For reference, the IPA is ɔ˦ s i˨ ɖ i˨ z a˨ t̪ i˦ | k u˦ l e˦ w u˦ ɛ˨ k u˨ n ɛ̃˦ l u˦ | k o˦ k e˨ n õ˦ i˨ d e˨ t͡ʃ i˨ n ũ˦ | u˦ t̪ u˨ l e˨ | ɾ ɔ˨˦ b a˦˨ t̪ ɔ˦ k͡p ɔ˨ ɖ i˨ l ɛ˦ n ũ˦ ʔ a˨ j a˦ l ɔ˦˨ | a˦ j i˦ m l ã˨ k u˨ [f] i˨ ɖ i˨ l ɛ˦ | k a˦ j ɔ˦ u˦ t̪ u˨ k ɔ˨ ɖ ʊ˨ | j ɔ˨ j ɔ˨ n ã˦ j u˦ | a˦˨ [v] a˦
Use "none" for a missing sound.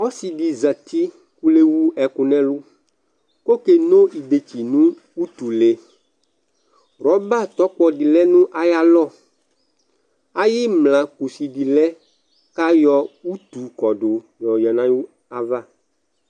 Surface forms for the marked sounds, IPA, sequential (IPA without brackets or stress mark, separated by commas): s, v